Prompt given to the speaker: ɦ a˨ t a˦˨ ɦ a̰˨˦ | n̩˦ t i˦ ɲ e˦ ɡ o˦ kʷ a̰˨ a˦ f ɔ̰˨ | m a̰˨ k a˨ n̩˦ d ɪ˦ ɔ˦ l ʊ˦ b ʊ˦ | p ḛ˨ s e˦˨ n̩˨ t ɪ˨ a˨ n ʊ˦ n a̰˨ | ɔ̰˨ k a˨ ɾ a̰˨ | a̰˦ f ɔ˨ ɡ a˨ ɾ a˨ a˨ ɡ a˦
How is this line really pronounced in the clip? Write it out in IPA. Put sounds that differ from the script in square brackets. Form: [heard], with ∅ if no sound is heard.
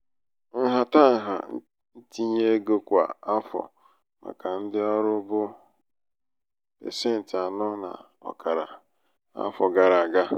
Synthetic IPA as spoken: ɦ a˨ t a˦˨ ɦ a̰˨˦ | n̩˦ t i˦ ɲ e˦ ɡ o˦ kʷ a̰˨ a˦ f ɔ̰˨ | m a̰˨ k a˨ n̩˦ d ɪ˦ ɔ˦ [ɾ] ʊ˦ b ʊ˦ | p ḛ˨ s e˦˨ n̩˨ t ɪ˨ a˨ n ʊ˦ n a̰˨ | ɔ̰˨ k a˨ ɾ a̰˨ | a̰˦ f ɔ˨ ɡ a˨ ɾ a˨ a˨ ɡ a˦